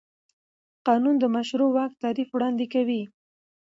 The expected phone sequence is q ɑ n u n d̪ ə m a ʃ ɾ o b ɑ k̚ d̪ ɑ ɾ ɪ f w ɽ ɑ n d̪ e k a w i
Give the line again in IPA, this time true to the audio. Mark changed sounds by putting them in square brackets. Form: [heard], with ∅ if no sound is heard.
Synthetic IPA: q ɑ n u n d̪ ə m a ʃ ɾ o [w] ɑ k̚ [t̪] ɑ ɾ [i] f w ɽ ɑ n d̪ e k a w i